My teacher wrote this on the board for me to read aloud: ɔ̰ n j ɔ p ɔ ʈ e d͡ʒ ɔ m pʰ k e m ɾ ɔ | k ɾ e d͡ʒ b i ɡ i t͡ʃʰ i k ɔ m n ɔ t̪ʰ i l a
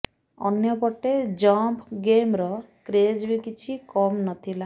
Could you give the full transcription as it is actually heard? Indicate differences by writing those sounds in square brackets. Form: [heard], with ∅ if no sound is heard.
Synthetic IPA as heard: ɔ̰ n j ɔ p ɔ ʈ e d͡ʒ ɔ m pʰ [ɡ] e m ɾ ɔ | k ɾ e d͡ʒ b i [k] i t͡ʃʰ i k ɔ m n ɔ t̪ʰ i l a